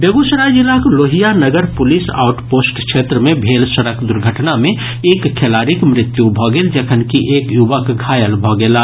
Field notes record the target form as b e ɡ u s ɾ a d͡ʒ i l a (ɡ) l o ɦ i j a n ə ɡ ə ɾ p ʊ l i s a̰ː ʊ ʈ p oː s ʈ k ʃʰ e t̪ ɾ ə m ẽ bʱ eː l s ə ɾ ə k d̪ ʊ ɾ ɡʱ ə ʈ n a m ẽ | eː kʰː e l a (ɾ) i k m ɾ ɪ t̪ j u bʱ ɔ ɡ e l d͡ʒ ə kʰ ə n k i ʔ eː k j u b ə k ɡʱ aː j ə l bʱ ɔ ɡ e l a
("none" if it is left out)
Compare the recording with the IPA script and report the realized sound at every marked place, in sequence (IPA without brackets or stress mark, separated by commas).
k, ɾ